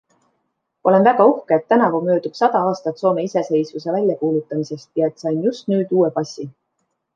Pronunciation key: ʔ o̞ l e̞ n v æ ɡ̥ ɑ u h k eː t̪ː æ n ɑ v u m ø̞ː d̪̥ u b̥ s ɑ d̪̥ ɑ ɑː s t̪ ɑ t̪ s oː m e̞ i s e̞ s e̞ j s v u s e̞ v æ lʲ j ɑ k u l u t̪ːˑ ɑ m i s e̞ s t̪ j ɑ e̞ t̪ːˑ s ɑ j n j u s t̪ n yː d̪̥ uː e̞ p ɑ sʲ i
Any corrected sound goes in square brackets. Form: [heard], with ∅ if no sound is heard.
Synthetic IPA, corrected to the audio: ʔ o̞ l e̞ n v æ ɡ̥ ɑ u h k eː t̪ː æ n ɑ v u m ø̞ː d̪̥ u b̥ s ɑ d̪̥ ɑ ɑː s t̪ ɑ t̪ s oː m e̞ i s e̞ s e̞ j s v u s e̞ v æ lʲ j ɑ k [uː] l u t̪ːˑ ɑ m i s e̞ s t̪ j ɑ e̞ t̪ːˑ s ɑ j n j u s t̪ n yː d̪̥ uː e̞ p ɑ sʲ i